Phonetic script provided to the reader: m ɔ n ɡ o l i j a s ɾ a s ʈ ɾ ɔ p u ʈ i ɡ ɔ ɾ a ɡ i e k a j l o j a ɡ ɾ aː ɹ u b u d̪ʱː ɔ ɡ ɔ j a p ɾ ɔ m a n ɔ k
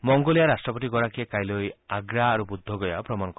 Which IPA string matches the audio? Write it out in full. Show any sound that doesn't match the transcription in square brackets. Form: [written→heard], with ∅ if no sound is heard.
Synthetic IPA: m ɔ [n→ŋ] ɡ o l i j a [s→∅] ɾ a s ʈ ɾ ɔ p [u→ɔ] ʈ i ɡ ɔ ɾ a [ɡ→k] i e k a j l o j a ɡ ɾ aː [ɹ→ɾ] u b u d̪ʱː ɔ ɡ ɔ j a p ɾ ɔ m a n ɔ k